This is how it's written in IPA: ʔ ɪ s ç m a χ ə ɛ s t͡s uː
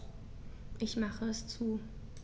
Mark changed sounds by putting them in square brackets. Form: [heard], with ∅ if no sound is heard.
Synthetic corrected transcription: ʔ ɪ [∅] ç m a χ ə ɛ s t͡s uː